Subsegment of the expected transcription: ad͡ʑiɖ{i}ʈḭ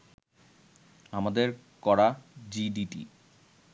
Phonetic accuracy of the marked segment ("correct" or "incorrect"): correct